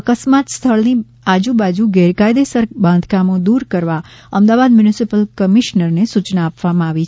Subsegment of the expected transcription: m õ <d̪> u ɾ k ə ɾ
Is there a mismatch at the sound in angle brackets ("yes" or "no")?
no